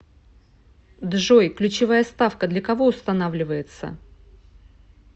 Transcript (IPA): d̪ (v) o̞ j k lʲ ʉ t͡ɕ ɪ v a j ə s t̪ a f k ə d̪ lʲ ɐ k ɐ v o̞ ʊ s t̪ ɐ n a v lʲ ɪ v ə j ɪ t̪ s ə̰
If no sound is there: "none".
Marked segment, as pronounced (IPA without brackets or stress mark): ʐ